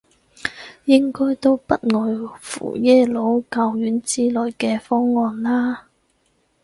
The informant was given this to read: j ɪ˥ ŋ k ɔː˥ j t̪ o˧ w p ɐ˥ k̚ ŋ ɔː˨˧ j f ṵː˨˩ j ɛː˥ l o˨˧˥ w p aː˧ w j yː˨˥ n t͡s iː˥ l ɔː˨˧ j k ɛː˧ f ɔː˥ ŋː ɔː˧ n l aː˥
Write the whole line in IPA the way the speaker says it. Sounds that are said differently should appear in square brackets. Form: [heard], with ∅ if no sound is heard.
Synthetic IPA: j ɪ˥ ŋ k ɔː˥ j t̪ [o˥] w p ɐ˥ [t̚] ŋ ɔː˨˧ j f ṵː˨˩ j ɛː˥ l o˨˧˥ w [k] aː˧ w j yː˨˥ n t͡s iː˥ l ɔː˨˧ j k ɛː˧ f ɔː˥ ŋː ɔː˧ n l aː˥

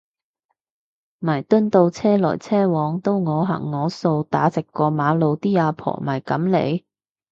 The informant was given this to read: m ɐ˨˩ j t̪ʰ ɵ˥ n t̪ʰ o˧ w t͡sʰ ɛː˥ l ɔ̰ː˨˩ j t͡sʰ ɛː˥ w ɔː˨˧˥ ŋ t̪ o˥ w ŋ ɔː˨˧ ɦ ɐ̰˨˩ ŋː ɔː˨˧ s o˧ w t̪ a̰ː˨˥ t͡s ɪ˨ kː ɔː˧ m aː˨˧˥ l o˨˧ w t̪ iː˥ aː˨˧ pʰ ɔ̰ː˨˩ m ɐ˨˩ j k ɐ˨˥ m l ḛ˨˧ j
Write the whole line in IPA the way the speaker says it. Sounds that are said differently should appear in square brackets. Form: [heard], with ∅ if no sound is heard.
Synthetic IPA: m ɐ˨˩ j [t̪] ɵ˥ n [t̪] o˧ w t͡sʰ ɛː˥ l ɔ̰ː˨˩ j t͡sʰ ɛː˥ w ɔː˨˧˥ ŋ t̪ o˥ w ŋ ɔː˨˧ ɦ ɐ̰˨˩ ŋː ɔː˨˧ s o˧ w t̪ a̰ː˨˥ t͡s ɪ˨ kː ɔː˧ m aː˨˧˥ l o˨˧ w t̪ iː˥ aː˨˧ pʰ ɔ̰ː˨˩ m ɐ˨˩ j k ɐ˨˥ m l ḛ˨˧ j

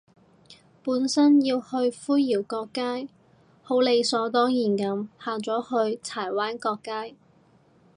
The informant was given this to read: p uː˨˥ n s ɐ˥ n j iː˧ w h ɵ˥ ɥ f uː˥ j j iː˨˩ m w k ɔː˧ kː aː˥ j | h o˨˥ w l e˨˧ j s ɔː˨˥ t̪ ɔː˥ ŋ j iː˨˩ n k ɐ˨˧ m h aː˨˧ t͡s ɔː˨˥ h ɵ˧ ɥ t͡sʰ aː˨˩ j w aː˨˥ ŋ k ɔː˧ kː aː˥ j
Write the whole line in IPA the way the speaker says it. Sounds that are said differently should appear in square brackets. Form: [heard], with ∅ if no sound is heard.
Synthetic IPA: p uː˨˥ n s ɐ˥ n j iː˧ w h [ɵ˧] ɥ f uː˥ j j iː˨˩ [∅] w k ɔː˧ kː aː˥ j | h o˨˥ w l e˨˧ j s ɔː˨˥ t̪ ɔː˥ ŋ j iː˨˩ n k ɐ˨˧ m h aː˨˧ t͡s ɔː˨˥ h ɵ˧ ɥ t͡sʰ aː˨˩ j w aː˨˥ [n] k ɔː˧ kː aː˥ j

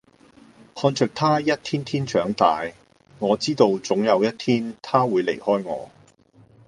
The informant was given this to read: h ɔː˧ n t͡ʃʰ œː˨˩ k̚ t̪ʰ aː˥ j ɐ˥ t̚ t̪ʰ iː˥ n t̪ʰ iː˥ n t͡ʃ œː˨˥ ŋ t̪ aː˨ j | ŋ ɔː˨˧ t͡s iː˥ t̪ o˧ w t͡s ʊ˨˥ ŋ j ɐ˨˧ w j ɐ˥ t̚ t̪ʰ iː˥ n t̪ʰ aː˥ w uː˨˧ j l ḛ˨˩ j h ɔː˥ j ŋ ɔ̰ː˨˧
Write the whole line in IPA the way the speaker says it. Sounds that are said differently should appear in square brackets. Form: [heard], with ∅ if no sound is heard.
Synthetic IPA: h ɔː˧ n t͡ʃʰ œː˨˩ k̚ t̪ʰ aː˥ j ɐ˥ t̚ t̪ʰ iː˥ n t̪ʰ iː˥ n t͡ʃ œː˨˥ ŋ t̪ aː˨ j | ŋ ɔː˨˧ t͡s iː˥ t̪ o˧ w t͡s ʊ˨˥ ŋ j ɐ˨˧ w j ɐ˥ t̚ t̪ʰ iː˥ n t̪ʰ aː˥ w uː˨˧ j l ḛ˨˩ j h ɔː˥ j ŋ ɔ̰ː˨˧

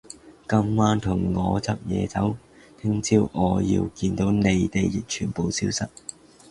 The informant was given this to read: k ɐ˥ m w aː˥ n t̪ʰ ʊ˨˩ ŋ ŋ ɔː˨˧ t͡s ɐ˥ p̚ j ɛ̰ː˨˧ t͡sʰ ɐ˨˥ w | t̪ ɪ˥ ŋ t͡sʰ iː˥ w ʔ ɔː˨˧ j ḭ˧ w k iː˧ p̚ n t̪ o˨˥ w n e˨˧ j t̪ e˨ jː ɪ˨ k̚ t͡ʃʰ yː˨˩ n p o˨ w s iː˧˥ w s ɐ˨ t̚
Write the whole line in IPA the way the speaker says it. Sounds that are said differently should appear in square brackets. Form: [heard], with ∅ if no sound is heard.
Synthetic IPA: k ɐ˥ m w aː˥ n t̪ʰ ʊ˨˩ ŋ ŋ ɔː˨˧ t͡s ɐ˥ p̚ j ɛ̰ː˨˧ [t͡s] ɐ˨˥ w | [t̪ʰ] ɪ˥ ŋ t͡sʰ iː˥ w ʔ ɔː˨˧ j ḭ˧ w k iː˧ [∅] n t̪ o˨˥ w n e˨˧ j t̪ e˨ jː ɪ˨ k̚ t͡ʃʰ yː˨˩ n p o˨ w s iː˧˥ w s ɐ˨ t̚

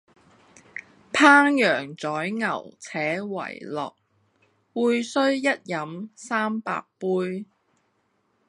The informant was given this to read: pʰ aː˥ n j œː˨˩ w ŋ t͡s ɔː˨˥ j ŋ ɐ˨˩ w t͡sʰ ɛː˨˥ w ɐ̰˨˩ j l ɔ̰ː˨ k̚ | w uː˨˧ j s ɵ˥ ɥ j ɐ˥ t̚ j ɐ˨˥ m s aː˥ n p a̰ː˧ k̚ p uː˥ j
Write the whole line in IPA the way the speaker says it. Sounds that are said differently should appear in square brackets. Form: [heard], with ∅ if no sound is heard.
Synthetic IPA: pʰ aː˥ [ŋ] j œː˨˩ [∅] ŋ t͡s ɔː˨˥ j ŋ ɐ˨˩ w t͡sʰ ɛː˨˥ w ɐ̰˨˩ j l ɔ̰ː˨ k̚ | w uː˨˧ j s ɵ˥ ɥ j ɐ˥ t̚ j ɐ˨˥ m s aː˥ [m] p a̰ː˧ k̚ p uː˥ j

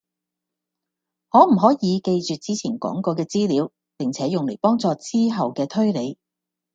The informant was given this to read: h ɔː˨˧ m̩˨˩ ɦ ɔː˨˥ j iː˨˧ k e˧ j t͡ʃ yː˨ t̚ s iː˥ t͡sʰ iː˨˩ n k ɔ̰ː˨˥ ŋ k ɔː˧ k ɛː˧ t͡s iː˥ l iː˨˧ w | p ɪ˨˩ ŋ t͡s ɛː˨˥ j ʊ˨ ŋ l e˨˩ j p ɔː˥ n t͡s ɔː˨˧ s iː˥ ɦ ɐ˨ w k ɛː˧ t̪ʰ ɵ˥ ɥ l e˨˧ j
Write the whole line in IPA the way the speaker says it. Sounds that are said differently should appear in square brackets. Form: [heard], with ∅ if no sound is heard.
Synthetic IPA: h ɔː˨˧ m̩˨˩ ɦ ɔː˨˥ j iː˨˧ k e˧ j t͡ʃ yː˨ t̚ [t͡s] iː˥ t͡sʰ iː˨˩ n k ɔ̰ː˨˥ ŋ k ɔː˧ k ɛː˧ t͡s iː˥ l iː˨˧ w | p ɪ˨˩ ŋ [t͡sʰ] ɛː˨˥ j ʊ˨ ŋ l e˨˩ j p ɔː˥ [ŋ] t͡s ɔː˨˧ [t͡s] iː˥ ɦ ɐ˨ w k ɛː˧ t̪ʰ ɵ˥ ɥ l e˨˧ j

